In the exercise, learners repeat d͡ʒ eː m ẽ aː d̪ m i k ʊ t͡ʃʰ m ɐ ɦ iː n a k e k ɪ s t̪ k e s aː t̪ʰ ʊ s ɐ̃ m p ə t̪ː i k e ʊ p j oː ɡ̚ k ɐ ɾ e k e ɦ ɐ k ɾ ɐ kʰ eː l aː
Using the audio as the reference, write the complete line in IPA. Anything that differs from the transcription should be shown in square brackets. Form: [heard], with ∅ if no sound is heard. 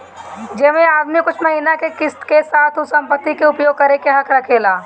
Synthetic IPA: d͡ʒ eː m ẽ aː d̪ m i k ʊ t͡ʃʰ m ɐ ɦ iː n a k e k ɪ s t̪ k e s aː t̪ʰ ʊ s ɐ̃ m p ə t̪ː i k e ʊ p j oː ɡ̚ k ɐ ɾ e k e ɦ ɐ k ɾ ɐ kʰ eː l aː